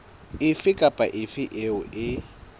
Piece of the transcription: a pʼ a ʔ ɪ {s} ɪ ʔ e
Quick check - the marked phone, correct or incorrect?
incorrect